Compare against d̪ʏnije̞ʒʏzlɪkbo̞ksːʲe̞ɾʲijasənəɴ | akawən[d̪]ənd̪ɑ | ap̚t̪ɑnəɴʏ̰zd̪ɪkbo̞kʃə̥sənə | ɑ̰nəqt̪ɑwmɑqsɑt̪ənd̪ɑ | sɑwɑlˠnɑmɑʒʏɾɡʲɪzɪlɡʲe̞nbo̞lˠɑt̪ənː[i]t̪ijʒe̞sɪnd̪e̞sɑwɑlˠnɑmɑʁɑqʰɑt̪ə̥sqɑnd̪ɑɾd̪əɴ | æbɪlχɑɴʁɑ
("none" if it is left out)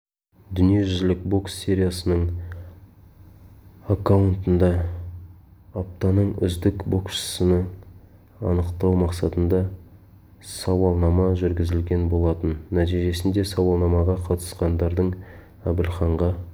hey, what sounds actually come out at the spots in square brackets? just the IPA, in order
t̪, æ

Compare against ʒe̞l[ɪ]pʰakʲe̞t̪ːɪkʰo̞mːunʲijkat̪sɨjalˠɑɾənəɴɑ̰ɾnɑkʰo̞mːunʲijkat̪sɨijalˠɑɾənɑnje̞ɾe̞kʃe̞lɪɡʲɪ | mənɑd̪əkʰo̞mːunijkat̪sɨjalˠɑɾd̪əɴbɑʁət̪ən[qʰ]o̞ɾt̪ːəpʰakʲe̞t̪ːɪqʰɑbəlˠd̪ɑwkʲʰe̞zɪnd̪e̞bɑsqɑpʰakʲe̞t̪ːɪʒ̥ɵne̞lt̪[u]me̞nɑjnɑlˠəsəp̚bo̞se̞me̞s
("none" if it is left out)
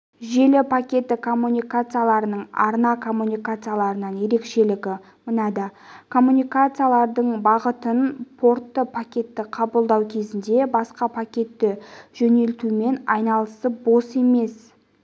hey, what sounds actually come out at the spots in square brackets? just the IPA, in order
ɪ, pʰ, u

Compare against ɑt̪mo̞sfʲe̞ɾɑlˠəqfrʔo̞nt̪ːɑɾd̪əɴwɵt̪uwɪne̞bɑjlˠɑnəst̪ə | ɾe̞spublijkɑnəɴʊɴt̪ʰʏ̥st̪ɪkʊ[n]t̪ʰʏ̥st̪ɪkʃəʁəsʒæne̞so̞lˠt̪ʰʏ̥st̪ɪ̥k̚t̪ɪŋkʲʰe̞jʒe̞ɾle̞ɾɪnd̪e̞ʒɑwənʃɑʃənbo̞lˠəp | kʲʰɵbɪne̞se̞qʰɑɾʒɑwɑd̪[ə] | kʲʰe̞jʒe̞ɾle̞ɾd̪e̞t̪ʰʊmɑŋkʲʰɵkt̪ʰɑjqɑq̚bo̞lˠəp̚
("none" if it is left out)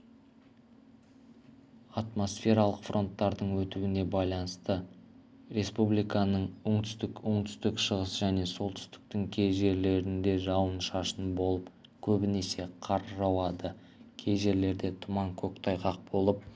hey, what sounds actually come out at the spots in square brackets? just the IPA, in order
ɴ, ə

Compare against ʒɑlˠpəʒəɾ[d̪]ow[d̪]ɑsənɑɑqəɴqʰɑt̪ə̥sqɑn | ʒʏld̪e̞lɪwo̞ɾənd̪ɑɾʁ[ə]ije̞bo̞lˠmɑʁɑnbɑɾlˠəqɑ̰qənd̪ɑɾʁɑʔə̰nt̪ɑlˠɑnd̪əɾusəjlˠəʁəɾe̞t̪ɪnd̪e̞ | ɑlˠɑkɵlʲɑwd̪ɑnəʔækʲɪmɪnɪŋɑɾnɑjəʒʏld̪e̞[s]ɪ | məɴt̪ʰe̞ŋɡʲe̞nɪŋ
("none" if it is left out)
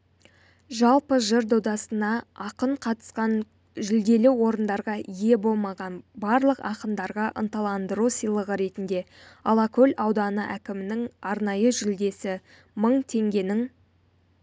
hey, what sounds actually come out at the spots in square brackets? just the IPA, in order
d̪, d̪, ɑ, s

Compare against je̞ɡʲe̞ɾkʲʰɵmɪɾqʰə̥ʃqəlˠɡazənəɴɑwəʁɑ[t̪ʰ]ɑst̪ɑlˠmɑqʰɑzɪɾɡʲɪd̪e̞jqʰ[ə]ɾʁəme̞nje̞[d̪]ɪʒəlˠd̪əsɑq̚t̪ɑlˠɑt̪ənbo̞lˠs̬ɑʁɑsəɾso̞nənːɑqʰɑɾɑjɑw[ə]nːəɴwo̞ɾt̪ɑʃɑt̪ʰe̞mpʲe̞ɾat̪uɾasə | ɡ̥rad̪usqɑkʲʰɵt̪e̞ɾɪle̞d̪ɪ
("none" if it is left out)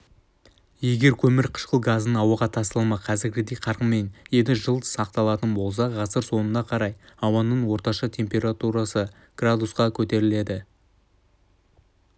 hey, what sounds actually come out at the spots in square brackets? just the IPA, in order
t̪ʰ, ɑ, d̪, ɑ

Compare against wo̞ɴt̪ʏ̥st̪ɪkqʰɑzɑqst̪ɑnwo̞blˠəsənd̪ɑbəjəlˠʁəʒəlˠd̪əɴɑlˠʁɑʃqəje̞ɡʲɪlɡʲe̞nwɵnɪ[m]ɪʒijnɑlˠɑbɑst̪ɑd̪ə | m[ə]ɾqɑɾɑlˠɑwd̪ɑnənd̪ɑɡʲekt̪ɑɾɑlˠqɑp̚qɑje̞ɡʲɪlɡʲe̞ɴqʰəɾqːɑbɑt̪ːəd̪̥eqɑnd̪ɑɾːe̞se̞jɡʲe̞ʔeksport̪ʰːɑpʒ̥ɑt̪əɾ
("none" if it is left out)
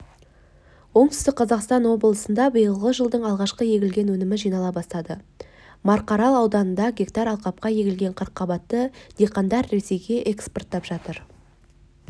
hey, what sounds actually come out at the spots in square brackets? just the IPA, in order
m, ɑ

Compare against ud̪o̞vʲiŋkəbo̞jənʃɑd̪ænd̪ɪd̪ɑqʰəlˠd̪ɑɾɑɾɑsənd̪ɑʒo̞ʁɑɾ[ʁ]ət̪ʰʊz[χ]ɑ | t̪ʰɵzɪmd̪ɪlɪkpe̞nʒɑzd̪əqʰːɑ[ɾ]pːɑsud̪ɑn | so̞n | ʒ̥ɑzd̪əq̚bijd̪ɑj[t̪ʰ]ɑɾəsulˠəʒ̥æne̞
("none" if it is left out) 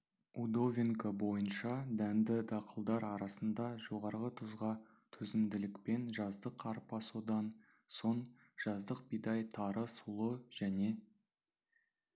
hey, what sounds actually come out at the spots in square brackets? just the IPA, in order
ʁ, ʁ, ɾ, t̪ʰ

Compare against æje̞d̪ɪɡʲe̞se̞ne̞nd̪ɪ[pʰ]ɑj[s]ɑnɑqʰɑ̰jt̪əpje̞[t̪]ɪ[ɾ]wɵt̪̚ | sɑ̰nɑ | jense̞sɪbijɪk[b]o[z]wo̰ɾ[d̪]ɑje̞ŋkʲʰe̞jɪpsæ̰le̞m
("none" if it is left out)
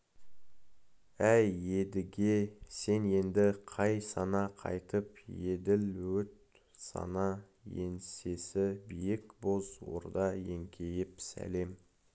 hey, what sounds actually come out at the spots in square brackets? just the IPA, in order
qʰ, s, d̪, l, b, z, d̪

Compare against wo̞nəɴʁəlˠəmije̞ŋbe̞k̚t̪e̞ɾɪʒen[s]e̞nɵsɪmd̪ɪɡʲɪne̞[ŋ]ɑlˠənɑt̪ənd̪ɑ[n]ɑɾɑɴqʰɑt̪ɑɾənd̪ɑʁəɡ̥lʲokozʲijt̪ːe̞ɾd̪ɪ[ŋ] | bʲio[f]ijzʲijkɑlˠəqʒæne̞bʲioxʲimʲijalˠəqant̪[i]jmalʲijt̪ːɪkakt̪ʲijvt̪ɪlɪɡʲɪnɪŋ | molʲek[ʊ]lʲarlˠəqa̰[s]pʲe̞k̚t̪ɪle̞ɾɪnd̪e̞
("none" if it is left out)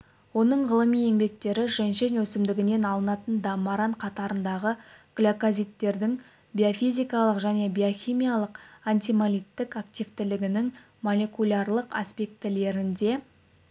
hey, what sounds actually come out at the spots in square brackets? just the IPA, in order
ʃ, n, m, ŋ, f, i, u, s

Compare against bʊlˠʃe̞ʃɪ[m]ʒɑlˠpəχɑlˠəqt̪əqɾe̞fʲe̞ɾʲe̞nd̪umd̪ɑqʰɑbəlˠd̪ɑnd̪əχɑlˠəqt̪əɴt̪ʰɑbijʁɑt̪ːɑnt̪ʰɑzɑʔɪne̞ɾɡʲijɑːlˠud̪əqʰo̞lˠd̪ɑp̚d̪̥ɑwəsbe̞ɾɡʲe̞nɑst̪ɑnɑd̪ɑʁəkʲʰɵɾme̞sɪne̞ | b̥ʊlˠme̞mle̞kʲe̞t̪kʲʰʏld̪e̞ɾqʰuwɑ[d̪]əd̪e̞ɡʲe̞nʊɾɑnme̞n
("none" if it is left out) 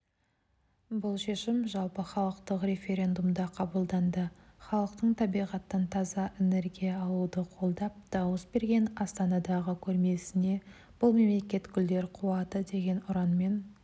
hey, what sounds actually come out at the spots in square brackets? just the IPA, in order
m, t̪

